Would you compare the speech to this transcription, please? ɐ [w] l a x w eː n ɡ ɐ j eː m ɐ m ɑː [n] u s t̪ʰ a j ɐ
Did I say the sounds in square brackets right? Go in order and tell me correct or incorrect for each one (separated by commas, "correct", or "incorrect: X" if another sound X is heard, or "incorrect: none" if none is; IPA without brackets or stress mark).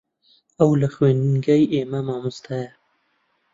correct, incorrect: m